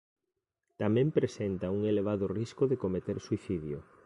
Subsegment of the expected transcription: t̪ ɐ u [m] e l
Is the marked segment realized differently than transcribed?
yes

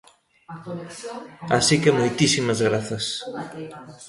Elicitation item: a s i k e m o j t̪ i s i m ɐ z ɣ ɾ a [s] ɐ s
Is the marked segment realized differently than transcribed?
yes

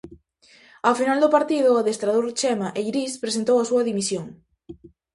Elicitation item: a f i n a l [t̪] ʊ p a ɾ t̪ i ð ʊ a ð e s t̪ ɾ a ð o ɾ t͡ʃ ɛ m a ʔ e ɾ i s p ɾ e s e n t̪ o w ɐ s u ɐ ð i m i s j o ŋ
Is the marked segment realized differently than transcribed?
yes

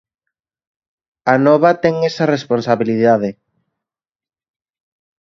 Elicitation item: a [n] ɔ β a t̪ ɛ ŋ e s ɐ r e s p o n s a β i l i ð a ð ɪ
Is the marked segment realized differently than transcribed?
no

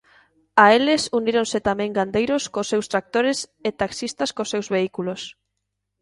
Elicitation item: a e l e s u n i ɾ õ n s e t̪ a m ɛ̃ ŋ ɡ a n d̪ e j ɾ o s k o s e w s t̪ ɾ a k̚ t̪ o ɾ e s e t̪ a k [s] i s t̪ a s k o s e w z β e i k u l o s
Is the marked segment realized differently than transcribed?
no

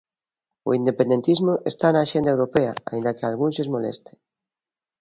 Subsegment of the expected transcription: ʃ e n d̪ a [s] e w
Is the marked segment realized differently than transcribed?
yes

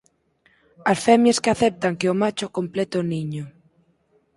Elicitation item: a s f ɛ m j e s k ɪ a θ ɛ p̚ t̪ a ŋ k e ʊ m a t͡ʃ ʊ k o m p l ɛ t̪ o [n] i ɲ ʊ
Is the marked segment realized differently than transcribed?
no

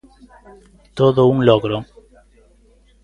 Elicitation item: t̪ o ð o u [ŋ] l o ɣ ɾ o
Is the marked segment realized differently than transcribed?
no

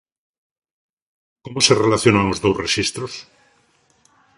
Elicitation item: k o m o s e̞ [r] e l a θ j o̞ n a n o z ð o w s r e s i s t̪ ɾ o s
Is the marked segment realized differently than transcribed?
no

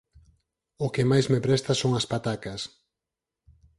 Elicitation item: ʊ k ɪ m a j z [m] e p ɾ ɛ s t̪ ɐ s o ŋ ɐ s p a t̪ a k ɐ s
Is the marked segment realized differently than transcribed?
no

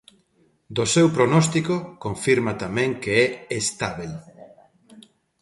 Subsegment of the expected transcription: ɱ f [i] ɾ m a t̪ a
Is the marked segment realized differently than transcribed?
no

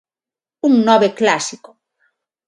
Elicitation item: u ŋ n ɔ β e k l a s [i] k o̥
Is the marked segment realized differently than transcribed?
no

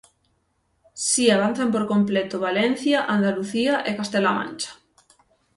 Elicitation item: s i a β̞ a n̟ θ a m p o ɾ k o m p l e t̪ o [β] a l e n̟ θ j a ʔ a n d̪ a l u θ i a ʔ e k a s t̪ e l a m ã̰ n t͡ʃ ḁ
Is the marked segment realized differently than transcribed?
no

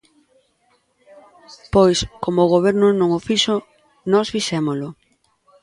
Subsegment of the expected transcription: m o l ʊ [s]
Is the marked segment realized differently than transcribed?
yes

